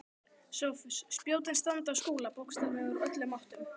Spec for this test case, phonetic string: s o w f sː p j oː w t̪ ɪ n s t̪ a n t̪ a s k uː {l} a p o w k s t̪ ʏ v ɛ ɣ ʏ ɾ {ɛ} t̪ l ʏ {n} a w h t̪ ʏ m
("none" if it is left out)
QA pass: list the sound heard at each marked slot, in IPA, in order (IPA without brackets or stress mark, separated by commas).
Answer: l, œ, m